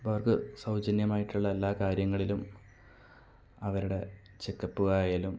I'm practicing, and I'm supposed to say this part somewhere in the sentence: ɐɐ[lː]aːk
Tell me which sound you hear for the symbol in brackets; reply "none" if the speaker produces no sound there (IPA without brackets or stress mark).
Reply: lː